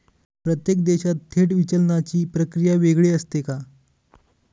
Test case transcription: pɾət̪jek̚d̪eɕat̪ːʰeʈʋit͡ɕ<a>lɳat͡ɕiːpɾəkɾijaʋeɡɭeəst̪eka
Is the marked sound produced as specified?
no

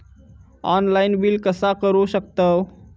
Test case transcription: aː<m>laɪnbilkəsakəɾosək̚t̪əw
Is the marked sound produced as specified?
no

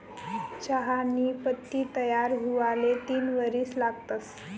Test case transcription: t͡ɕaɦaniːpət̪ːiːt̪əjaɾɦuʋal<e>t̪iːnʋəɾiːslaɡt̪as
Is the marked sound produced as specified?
yes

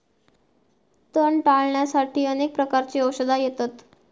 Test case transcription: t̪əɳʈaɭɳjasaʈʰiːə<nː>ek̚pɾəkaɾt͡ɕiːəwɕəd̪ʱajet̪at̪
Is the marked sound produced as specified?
no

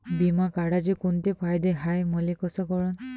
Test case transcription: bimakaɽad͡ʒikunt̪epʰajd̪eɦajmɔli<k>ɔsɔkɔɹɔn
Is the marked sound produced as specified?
yes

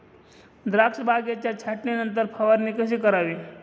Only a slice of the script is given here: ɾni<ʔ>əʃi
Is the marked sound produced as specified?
no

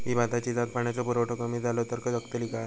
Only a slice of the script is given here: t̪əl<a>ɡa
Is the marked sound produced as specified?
no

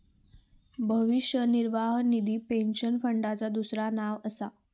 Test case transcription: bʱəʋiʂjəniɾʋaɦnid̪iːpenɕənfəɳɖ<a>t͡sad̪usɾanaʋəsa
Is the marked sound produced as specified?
yes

